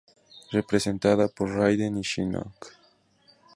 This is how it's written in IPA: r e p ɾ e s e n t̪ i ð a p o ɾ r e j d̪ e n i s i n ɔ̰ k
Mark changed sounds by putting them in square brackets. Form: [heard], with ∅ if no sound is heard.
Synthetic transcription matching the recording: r e p ɾ e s e n t̪ [a] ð a p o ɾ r [a] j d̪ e n i [ʃ] i n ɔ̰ k

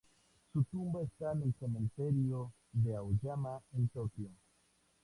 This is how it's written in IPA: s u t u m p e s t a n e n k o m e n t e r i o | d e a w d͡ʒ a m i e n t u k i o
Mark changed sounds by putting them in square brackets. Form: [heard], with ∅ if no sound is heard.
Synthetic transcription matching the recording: s u t u m [b] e s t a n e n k o m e n t e [ɾ] i o | d e a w d͡ʒ a m [a] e n t [o] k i o

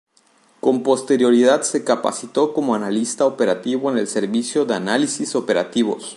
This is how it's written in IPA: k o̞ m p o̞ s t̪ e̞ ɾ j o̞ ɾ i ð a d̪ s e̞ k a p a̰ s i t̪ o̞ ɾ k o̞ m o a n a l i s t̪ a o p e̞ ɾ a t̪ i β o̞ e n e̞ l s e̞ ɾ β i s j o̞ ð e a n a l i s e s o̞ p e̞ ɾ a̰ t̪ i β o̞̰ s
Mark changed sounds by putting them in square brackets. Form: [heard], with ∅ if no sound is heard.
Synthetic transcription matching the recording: k o̞ m p o̞ s t̪ e̞ ɾ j o̞ ɾ i ð a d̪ s e̞ k a p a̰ s i t̪ o̞ [∅] k o̞ m o a n a l i s t̪ a o p e̞ ɾ a t̪ i β o̞ e n e̞ l s e̞ ɾ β i s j o̞ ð e a n a l i s [i] s o̞ p e̞ ɾ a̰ t̪ i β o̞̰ s

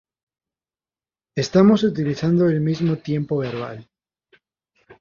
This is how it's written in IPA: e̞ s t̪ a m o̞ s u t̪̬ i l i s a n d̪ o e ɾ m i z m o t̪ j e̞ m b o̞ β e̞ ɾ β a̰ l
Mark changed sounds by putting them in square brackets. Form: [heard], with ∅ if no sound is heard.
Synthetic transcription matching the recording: e̞ s t̪ a m o̞ s u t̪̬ i l i [θ] a n d̪ o e [l] m i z m o t̪ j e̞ m [p] o̞ β e̞ ɾ β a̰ l

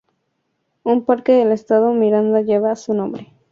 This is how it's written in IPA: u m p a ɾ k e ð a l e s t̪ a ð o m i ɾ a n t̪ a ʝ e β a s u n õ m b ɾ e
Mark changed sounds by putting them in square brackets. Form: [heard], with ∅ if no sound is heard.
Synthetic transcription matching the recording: u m p a ɾ k e ð [e] l e s t̪ a ð o m i ɾ a n [d̪] a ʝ e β a s u n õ m b ɾ e

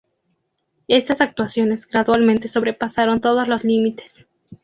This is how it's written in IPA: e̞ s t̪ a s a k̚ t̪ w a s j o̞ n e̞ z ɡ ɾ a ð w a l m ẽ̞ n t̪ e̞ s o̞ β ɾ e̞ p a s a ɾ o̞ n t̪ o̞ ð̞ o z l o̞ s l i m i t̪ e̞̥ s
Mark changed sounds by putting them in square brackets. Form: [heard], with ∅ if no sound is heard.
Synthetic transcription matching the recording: e̞ s t̪ a s a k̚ t̪ w a s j o̞ n e̞ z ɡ ɾ a ð w a l m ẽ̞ n t̪ e̞ s o̞ β ɾ e̞ p a s a ɾ o̞ n t̪ o̞ ð̞ o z l o̞ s l i m i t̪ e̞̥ s

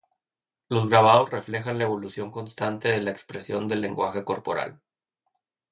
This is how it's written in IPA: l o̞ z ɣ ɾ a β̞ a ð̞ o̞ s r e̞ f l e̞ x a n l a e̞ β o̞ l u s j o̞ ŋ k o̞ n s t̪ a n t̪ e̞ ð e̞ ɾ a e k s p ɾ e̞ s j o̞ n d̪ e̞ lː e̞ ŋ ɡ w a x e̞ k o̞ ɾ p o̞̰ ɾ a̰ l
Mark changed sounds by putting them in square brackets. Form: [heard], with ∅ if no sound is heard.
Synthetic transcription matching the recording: l o̞ z ɣ ɾ a β̞ a ð̞ o̞ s r e̞ f l e̞ x a n l a e̞ β o̞ l u s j o̞ ŋ k o̞ n s t̪ a n t̪ e̞ ð e̞ [l] a e k s p ɾ e̞ s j o̞ n d̪ e̞ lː e̞ ŋ ɡ w a x e̞ k o̞ ɾ p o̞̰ ɾ a̰ l

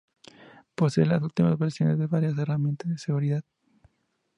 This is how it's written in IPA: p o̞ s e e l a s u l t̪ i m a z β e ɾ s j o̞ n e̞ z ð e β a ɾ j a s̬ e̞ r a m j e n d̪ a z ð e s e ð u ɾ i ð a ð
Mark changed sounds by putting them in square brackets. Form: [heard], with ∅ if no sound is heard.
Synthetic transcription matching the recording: p o̞ s e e l a s u l t̪ i m a z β e ɾ s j o̞ n e̞ z ð e β a ɾ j a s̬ e̞ r a m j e n [t̪] a z ð e s e [ɣ] u ɾ i ð a ð

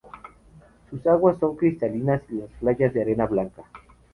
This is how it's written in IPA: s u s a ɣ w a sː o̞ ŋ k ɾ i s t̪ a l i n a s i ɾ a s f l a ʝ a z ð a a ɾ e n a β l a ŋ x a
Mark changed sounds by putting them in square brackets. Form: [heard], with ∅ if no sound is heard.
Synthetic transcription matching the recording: s u s a ɣ w a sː o̞ ŋ k ɾ i s t̪ a l i n a s i [l] a s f l a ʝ a z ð [e] a ɾ e n a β l a ŋ [k] a

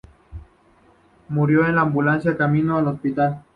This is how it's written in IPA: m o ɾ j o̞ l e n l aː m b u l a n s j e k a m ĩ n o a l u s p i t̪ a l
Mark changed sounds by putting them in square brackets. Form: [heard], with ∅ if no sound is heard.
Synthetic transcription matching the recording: m [u] ɾ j o̞ [∅] e n l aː m b u l a n s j [a] k a m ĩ n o a l [o] s p i t̪ a l

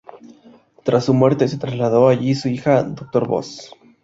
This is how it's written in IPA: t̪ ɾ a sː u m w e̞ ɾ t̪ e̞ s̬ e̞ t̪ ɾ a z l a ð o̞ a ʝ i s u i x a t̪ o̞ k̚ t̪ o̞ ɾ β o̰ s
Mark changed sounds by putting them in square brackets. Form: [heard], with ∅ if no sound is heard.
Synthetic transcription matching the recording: t̪ ɾ a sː u m w e̞ ɾ t̪ e̞ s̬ e̞ t̪ ɾ a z l a ð o̞ a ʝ i s u i x a [d̪] o̞ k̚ t̪ o̞ ɾ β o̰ s

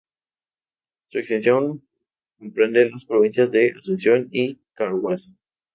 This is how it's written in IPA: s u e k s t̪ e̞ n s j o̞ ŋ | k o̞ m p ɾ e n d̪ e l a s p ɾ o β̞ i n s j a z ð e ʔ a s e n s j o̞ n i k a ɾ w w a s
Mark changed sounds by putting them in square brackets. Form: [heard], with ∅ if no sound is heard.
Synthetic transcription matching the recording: s u e k s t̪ e̞ n s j o̞ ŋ | k o̞ m p ɾ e n d̪ e l a s p ɾ o β̞ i n s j a z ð e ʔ a s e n s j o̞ n i k a ɾ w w a s

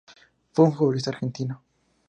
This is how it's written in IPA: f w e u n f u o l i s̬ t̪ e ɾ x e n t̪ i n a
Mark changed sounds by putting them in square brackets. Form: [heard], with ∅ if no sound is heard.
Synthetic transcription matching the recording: f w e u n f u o l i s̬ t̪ [a] ɾ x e n t̪ i n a

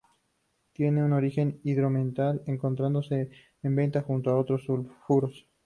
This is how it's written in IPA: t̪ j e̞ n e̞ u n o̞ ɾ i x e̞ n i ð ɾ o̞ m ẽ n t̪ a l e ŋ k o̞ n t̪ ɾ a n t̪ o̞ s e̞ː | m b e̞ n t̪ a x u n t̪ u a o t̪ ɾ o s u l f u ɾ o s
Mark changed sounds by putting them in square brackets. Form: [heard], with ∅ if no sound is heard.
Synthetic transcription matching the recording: t̪ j e̞ n e̞ u n o̞ ɾ i x e̞ n i ð ɾ o̞ m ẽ n t̪ a l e ŋ k o̞ n t̪ ɾ a n [d̪] o̞ s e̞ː | m b e̞ n t̪ a x u n t̪ [o] a o t̪ ɾ o s u l f u ɾ o s

